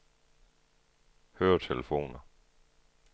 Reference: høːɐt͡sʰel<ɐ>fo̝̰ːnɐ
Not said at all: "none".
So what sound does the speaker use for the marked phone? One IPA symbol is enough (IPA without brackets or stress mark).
ə